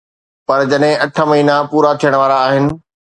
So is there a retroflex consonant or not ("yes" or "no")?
yes